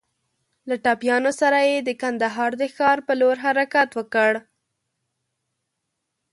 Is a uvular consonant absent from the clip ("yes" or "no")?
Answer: yes